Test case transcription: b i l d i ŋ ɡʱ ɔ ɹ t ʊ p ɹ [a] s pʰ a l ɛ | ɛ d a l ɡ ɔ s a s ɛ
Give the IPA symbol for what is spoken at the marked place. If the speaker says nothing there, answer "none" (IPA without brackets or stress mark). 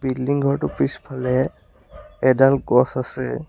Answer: i